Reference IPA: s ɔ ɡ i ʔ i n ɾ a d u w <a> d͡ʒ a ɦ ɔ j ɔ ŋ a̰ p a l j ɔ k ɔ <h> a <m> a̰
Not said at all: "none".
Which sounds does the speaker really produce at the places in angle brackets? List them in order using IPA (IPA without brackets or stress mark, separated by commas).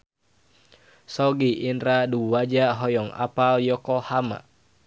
a, h, m